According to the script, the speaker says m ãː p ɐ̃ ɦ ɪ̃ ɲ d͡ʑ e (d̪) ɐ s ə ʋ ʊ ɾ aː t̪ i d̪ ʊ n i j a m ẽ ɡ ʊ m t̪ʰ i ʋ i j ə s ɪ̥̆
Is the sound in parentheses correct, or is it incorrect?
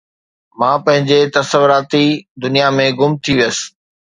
incorrect